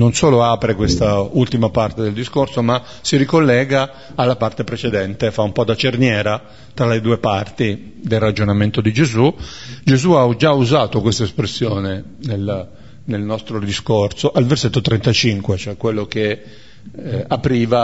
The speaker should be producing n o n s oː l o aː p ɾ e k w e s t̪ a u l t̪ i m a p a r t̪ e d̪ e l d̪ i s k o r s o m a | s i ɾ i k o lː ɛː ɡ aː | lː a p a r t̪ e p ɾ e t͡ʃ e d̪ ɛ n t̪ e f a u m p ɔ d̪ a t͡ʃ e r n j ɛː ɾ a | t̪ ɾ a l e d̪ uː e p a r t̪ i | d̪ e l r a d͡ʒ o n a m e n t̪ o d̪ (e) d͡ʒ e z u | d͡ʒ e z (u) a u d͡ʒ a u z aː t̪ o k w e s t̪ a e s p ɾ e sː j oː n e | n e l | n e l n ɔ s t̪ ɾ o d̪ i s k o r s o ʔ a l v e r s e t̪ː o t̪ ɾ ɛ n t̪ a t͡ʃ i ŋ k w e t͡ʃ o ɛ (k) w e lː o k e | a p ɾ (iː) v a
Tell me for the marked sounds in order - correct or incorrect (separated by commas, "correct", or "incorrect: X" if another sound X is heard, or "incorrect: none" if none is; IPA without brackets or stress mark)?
incorrect: i, correct, correct, correct